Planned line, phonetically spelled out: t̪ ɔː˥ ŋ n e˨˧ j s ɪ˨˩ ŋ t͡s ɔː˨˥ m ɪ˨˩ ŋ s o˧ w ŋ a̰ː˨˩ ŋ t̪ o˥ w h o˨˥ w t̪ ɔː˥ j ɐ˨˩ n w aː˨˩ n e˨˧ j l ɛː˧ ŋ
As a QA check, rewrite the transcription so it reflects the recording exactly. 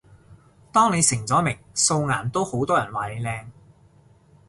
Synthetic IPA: t̪ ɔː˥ ŋ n e˨˧ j s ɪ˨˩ ŋ t͡s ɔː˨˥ m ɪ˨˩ ŋ s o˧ w ŋ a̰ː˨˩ n t̪ o˥ w h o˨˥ w t̪ ɔː˥ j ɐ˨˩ n w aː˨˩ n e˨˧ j l ɛː˧ ŋ

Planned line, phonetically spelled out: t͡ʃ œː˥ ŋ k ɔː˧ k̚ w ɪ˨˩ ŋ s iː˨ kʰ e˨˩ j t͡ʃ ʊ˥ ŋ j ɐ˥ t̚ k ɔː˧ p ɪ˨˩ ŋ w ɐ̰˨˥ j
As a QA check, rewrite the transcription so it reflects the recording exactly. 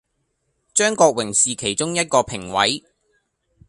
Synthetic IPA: t͡ʃ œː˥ ŋ k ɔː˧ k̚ w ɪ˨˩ ŋ s iː˨ kʰ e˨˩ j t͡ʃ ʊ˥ ŋ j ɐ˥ t̚ k ɔː˧ pʰ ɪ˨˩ ŋ w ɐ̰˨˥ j

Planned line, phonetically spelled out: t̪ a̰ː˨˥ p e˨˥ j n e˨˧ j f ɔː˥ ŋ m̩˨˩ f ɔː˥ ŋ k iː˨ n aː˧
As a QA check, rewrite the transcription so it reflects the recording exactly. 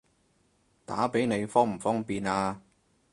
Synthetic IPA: t̪ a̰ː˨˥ p e˨˥ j n e˨˧ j f ɔː˥ ŋ m̩˨˩ f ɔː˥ ŋ p iː˨ n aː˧

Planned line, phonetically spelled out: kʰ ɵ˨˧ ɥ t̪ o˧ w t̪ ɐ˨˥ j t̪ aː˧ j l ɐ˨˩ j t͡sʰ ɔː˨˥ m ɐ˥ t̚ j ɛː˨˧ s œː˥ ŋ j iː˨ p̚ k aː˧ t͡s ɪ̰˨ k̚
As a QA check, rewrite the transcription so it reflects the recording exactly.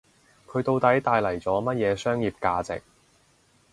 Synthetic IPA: kʰ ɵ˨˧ ɥ t̪ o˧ w t̪ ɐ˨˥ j t̪ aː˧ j l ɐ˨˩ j t͡s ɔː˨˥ m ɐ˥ t̚ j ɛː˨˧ s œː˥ ŋ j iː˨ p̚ k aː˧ t͡s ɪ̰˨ k̚

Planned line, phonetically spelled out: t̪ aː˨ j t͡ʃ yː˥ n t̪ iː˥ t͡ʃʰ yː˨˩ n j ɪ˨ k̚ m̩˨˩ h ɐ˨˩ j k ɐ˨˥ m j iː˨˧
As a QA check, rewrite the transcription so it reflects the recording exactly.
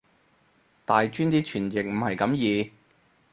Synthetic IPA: t̪ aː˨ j t͡ʃ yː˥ n t̪ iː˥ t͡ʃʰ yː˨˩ n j ɪ˨ k̚ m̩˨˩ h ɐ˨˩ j k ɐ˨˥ m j iː˨˧

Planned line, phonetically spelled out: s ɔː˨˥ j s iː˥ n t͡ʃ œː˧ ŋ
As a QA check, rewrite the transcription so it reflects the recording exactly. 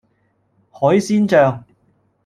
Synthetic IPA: h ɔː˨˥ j s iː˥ n t͡ʃ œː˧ ŋ

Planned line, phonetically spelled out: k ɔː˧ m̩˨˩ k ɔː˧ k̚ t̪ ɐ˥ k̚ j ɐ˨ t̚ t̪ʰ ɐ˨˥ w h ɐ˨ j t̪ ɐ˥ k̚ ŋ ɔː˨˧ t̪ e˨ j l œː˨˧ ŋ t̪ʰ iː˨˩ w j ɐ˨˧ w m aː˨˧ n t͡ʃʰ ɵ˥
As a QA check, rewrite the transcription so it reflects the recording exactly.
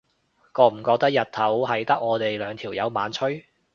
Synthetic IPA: k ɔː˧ m̩˨˩ k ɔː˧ k̚ t̪ ɐ˥ k̚ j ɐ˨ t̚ t̪ʰ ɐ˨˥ w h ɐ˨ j t̪ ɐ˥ k̚ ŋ ɔː˨˧ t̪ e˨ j l œː˨˧ ŋ t̪ʰ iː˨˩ w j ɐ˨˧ w m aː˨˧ n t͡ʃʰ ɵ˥

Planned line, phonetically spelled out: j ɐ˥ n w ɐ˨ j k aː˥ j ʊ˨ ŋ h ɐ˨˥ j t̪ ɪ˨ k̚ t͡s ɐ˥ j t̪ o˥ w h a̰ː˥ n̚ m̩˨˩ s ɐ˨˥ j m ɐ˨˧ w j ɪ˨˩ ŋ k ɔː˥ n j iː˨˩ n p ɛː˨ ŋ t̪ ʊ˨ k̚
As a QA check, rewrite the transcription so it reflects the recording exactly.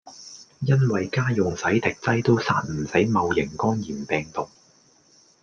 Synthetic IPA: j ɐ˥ n w ɐ˨ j k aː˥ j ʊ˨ ŋ s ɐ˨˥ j t̪ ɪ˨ k̚ t͡s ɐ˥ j t̪ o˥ w s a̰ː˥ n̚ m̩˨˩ s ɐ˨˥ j m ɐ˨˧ w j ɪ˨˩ ŋ k ɔː˥ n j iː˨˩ n p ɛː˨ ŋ t̪ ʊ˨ k̚

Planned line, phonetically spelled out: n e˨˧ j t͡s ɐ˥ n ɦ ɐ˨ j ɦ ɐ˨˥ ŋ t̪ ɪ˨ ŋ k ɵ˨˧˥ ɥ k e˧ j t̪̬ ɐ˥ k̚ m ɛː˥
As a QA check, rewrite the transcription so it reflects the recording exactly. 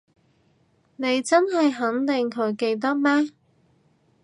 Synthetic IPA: n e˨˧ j t͡s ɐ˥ n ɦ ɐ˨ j ɦ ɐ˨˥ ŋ t̪ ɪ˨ ŋ kʰ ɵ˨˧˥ ɥ k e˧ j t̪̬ ɐ˥ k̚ m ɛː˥

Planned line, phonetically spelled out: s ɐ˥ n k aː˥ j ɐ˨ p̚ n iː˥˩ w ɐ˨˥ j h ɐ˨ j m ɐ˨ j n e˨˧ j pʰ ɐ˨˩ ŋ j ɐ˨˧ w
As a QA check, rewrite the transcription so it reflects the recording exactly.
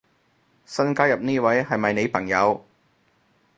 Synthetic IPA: s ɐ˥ n k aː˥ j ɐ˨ p̚ n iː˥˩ w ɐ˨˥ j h ɐ˨ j m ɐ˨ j n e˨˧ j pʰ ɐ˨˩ ŋ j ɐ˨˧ w

